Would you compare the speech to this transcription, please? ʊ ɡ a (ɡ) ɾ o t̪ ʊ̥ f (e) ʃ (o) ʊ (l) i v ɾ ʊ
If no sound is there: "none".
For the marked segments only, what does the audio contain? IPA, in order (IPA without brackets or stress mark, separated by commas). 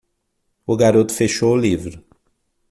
none, e, o, l